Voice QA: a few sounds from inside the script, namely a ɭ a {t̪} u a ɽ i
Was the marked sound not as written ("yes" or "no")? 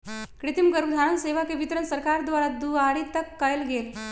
yes